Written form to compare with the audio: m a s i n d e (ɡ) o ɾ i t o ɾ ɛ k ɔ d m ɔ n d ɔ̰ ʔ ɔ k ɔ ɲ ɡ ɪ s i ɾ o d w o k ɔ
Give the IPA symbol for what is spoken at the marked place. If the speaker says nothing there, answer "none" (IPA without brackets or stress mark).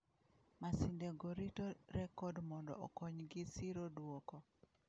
ɡ